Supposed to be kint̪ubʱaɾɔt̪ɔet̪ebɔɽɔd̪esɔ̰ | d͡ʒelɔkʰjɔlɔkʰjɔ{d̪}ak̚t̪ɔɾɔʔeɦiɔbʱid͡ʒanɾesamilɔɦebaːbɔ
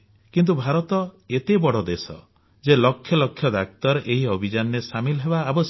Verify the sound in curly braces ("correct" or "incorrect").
correct